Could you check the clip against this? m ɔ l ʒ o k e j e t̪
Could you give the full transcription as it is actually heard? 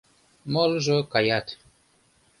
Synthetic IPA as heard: m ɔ l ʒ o k a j a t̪